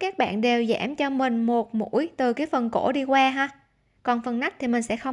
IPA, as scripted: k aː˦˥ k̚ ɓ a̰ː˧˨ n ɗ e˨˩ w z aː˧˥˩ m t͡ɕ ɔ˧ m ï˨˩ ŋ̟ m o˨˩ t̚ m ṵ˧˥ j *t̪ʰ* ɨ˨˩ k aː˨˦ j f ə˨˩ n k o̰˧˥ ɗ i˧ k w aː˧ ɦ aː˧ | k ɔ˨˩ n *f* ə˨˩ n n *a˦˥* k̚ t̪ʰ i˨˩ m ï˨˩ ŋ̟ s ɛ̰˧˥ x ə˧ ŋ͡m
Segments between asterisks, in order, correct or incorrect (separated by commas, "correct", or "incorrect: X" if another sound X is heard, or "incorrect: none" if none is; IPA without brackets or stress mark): incorrect: t̪, correct, correct